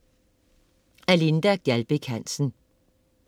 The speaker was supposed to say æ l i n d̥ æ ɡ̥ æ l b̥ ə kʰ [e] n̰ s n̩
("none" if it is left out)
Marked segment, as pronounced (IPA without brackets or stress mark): æ